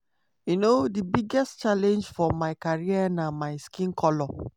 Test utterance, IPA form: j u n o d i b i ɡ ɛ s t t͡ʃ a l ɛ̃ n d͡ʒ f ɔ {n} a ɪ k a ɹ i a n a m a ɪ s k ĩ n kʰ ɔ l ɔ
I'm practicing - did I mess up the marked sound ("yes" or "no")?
yes